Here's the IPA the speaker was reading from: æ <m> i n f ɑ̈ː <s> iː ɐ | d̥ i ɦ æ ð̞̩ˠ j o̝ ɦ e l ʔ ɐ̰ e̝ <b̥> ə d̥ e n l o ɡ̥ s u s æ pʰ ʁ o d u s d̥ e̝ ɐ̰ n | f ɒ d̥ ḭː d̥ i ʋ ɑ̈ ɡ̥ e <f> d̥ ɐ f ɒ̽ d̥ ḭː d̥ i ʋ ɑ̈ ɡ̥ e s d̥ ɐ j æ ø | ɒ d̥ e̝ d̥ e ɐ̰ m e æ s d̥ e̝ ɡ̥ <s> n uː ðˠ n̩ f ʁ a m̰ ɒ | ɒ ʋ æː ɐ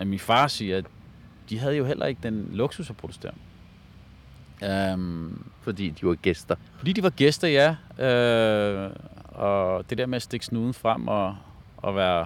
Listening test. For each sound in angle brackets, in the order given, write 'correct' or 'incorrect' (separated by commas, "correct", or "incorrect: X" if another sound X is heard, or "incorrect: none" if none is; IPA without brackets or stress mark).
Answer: correct, correct, incorrect: ɡ̥, incorrect: s, correct